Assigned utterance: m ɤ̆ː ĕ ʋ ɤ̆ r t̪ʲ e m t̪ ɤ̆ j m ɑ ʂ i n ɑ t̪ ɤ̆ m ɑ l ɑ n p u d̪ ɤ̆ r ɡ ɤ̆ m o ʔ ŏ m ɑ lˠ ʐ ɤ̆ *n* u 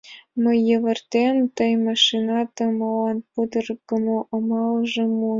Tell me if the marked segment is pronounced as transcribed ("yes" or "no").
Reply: no